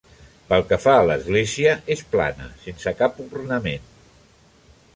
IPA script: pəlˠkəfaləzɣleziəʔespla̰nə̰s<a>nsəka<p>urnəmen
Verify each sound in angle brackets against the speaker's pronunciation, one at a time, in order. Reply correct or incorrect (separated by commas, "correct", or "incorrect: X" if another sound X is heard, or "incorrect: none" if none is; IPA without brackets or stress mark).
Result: incorrect: e, correct